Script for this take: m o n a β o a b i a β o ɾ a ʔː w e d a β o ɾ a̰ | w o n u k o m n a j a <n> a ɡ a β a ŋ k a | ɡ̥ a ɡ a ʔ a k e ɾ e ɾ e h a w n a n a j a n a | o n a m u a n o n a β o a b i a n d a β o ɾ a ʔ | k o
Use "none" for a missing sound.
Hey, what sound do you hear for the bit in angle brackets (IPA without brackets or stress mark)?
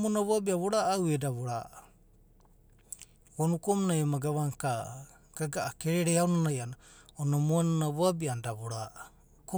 m